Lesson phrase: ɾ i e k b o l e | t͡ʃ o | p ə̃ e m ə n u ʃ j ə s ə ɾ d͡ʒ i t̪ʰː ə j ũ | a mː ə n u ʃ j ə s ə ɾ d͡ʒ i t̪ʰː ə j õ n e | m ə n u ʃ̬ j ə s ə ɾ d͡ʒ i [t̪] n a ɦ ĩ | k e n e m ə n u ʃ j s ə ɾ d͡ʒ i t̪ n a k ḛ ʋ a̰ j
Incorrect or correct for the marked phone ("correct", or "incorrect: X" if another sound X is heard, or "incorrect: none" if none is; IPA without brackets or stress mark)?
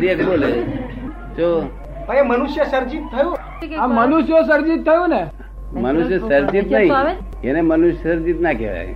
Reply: correct